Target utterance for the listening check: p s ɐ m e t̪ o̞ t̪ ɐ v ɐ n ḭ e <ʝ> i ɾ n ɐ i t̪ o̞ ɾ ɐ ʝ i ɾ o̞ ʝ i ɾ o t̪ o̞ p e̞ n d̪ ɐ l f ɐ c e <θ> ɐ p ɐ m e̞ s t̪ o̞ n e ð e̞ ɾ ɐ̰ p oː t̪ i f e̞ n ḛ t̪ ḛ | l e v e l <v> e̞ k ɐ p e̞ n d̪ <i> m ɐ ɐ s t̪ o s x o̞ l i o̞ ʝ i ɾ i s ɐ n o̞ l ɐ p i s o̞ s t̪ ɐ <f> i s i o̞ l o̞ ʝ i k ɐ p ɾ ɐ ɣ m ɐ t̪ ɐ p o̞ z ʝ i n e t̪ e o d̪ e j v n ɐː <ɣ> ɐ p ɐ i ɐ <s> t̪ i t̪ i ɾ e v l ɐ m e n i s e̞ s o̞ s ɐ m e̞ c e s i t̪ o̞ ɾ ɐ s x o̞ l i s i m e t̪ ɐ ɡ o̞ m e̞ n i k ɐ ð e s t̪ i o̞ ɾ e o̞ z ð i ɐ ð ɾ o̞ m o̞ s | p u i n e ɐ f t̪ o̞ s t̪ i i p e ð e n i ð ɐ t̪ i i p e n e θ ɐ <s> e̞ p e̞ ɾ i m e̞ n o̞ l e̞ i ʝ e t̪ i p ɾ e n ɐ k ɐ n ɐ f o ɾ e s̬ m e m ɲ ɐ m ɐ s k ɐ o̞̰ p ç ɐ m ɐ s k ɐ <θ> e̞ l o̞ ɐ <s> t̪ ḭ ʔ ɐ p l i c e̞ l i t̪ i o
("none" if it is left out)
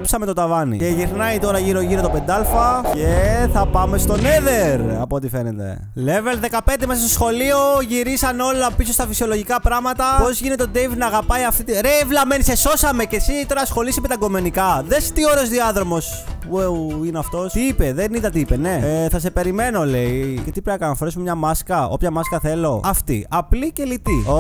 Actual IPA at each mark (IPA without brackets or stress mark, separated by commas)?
ʝ, θ, ð, e, f, ɣ, f, s, θ, f